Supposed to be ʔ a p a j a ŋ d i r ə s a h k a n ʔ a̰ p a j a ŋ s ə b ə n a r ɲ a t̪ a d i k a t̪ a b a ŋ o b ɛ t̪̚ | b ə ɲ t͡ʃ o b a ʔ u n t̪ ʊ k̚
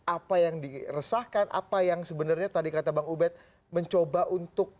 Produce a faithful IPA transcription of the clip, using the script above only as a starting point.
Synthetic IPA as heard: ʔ a p a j a ŋ d i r ə s a h k a n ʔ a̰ p a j a ŋ s ə b ə n a r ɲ a t̪ a d i k a t̪ a b a ŋ u b ɛ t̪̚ | m ə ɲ t͡ʃ o b a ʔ u n t̪ ʊ k̚